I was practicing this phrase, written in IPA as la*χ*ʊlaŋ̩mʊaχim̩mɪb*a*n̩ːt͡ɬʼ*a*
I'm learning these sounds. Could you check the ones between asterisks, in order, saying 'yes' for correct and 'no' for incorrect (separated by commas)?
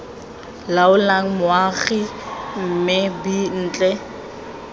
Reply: no, no, no